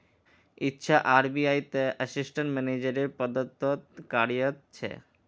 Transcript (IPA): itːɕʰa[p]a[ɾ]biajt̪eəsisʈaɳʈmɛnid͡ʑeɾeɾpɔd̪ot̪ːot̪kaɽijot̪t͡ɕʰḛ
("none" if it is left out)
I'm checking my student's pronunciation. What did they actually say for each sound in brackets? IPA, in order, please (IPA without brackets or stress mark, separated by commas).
ʔ, ɾ